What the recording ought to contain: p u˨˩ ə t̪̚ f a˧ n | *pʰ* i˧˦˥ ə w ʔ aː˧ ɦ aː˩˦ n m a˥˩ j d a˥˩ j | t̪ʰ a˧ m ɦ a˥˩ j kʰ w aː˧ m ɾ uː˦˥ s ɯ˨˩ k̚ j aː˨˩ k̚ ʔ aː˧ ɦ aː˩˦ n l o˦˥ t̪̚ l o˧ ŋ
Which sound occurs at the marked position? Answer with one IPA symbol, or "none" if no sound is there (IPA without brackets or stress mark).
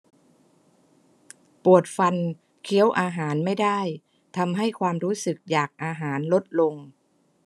kʰ